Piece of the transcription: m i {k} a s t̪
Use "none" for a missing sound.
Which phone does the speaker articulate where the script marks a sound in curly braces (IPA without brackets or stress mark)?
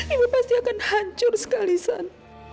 p